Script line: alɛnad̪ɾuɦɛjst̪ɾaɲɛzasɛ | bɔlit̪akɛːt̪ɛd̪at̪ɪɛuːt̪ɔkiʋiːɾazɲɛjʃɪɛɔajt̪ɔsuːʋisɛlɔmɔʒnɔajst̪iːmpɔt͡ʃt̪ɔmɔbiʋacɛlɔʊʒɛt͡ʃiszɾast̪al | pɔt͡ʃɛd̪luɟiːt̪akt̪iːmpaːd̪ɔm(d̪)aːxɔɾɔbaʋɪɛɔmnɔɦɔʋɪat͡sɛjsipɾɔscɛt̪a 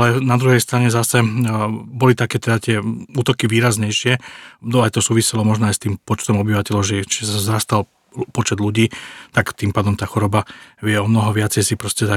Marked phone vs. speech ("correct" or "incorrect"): incorrect